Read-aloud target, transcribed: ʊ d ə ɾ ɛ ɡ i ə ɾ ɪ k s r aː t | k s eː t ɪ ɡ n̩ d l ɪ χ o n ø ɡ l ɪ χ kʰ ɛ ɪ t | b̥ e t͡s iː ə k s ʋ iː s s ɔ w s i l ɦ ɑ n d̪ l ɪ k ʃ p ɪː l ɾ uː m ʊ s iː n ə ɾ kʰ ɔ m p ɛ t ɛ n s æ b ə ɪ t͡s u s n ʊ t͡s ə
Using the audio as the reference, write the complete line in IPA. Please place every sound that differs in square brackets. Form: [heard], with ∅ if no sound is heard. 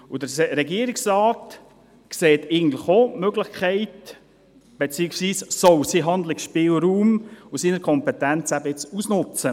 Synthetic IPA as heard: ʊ d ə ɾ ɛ ɡ i ə ɾ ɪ k s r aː t | k s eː t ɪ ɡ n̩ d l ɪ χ o [m] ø ɡ l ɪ χ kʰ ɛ ɪ t | b̥ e t͡s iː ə k s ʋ iː s s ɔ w s i [∅] ɦ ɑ n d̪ l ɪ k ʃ p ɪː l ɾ uː m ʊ s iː n ə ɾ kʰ ɔ m p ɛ t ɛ n [t͡s] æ b ə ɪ t͡s u s n ʊ t͡s ə